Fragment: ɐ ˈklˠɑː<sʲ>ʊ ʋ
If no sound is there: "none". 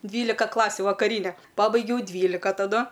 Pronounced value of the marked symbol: sʲ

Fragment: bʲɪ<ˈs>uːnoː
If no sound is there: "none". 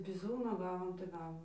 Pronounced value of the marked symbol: z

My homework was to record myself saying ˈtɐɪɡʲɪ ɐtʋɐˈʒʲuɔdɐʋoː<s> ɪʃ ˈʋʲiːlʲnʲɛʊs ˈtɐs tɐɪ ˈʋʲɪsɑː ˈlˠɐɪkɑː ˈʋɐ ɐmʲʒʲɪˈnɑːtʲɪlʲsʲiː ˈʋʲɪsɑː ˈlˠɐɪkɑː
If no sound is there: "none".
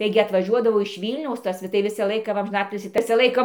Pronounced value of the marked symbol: none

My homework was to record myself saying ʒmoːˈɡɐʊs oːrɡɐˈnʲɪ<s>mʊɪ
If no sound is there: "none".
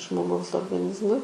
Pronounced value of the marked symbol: z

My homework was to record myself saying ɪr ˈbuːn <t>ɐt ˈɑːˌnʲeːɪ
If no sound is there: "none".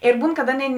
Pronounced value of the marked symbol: k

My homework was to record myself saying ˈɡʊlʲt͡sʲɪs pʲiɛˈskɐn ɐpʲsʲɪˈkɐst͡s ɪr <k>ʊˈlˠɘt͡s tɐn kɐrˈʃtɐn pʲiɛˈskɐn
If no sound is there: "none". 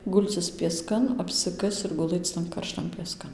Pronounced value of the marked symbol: ɡ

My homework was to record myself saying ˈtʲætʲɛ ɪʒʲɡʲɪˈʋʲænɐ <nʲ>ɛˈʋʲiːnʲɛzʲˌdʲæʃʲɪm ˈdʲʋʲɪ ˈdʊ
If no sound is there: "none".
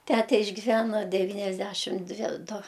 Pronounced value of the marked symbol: dʲ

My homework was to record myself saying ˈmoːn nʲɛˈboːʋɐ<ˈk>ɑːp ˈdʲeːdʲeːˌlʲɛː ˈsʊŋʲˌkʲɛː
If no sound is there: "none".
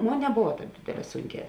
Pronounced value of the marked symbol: t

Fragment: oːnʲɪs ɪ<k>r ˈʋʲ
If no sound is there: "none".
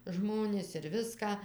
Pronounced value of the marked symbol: none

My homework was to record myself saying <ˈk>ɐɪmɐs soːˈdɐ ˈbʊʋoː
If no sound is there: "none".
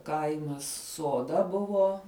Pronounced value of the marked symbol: k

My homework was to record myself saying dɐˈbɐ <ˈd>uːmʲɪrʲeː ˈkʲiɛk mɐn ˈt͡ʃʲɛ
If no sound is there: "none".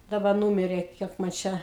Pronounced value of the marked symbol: n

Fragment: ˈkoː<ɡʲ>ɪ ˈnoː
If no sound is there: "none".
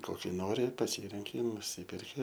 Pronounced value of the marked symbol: kʲ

